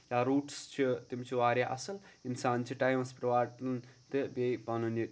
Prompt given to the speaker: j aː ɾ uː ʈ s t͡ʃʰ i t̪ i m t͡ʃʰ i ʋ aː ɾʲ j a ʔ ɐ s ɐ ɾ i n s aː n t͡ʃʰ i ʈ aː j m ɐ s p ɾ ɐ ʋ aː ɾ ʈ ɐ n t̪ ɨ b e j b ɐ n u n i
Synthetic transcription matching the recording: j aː ɾ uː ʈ s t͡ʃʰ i t̪ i m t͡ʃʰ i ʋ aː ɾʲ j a ʔ ɐ s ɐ l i n s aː n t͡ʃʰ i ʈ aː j m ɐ s p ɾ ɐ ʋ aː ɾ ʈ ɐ n t̪ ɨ b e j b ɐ n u n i